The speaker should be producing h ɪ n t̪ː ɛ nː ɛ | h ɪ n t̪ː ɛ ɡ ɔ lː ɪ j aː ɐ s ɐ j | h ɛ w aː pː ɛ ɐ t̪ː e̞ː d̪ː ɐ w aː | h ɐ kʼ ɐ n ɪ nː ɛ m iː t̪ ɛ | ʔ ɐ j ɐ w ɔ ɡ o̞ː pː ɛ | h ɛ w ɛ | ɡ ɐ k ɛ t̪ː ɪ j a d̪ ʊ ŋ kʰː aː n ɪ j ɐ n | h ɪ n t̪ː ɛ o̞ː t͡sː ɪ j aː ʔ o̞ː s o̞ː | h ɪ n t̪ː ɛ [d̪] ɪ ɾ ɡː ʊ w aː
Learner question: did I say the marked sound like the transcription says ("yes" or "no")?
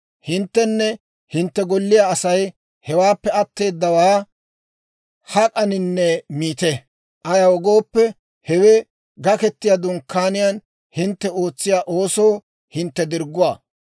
yes